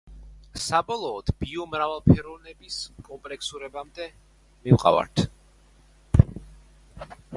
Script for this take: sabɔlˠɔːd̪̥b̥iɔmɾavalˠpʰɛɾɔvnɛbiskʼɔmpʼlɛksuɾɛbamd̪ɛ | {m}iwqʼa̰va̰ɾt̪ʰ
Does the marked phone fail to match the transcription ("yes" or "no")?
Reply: no